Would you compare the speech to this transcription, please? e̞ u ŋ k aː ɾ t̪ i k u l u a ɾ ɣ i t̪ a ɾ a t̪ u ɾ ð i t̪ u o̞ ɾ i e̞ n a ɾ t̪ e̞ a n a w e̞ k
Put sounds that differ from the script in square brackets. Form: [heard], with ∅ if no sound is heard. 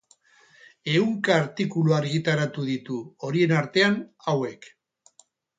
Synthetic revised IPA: e̞ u ŋ k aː ɾ t̪ i k u l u a ɾ ɣ i t̪ a ɾ a t̪ u [∅] ð i t̪ u o̞ ɾ i e̞ n a ɾ t̪ e̞ a n a w e̞ k